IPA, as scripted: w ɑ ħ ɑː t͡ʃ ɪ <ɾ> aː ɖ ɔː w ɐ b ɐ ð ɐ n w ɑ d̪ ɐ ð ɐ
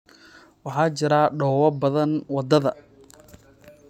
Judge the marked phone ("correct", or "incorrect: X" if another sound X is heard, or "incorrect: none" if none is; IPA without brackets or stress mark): correct